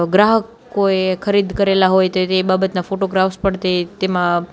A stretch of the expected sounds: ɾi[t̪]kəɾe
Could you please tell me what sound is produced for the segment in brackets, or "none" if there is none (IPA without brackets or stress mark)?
d̪